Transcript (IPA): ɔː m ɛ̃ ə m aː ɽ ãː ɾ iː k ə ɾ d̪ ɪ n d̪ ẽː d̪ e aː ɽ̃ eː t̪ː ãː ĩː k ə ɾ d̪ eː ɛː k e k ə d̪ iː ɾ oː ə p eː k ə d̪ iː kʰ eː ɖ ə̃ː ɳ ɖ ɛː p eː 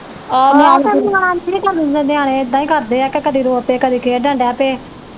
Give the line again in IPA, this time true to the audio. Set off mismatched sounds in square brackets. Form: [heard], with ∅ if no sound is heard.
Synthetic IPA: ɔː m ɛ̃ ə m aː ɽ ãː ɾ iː k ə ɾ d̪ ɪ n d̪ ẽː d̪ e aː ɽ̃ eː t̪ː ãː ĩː k ə ɾ d̪ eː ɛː k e k ə d̪ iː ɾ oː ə p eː k ə d̪ iː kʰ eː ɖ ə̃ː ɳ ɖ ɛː p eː